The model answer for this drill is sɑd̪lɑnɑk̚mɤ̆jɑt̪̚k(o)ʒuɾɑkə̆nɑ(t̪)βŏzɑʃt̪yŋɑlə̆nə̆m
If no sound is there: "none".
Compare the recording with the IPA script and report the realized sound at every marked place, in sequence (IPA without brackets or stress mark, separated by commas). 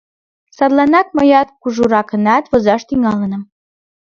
u, t̪